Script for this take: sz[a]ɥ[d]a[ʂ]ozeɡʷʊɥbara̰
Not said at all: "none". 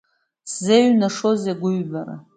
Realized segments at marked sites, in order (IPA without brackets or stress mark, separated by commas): e, n, ʂ